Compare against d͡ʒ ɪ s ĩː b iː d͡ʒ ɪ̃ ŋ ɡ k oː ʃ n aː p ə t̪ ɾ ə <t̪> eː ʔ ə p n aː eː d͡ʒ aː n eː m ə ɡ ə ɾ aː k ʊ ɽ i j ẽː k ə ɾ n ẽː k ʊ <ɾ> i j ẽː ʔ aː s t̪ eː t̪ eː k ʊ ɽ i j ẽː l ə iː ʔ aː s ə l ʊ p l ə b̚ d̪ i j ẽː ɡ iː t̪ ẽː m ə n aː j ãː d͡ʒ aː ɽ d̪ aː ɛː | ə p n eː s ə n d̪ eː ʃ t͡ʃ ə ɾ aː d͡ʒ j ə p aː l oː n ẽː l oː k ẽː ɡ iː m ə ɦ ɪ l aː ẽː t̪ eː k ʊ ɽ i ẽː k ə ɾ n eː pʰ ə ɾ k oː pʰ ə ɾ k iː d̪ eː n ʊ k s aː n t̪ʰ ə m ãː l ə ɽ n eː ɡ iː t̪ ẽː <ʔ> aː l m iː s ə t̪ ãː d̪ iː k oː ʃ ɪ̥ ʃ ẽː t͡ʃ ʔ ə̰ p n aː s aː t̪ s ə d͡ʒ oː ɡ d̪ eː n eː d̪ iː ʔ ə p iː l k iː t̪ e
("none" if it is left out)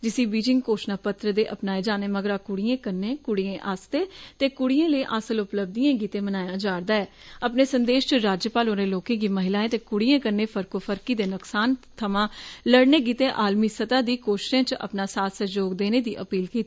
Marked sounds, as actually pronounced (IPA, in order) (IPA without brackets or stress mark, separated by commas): d̪, ɽ, ʔ